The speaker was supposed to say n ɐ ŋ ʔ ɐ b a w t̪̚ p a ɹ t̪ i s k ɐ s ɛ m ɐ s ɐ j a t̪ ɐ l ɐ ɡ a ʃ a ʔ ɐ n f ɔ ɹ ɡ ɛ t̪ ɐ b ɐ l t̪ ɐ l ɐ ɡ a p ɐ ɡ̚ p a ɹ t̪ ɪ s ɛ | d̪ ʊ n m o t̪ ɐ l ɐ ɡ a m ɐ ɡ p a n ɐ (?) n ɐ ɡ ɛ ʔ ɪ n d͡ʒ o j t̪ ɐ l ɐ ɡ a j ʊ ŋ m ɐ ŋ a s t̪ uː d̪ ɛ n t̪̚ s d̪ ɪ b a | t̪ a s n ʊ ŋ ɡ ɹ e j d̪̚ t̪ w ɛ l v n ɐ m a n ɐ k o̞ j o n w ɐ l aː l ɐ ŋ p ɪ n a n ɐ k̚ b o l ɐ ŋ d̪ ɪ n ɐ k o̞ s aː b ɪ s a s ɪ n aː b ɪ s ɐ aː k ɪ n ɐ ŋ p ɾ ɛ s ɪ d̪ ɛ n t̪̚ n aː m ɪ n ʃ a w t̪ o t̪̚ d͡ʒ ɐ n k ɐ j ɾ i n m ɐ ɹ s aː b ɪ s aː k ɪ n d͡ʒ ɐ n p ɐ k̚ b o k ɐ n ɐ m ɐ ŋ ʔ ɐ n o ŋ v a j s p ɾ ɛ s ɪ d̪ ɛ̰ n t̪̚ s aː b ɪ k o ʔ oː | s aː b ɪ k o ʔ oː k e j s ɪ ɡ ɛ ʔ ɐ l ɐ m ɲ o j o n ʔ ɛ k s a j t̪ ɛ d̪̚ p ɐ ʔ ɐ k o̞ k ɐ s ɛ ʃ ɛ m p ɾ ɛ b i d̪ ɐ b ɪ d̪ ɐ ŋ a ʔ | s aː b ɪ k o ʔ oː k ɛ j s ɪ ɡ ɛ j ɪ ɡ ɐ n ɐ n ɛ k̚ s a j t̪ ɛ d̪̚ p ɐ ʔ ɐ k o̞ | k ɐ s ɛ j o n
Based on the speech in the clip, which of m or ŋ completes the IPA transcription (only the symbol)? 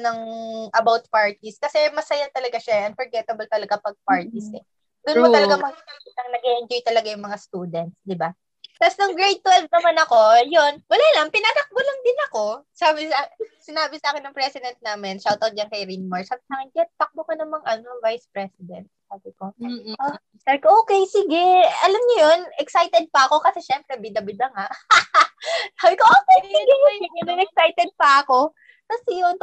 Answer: ŋ